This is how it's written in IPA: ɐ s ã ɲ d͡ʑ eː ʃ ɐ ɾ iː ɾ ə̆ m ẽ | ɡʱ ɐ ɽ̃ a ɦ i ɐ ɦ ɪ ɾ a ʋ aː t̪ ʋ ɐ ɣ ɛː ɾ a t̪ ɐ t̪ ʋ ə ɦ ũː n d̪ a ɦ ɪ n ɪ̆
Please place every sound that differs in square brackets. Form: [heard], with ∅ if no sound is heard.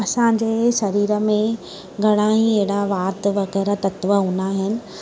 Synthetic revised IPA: ɐ s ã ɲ d͡ʑ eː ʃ ɐ ɾ iː ɾ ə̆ m ẽ | ɡʱ ɐ ɽ̃ a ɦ i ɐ ɦ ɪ [ɽ] a ʋ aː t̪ ʋ ɐ ɣ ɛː ɾ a t̪ ɐ t̪ ʋ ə ɦ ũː n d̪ a ɦ ɪ n ɪ̆